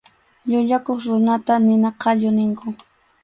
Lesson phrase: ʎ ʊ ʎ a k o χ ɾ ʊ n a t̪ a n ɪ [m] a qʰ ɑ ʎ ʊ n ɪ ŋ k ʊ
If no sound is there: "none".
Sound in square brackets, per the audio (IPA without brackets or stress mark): n